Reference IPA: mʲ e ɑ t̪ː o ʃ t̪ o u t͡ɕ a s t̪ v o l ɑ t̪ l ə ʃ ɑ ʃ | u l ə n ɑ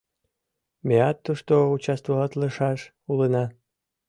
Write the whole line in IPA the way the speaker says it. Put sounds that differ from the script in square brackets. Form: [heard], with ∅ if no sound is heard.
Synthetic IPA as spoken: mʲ e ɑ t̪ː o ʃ t̪ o u t͡ɕ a s t̪ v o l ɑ t̪ l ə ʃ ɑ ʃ | u l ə n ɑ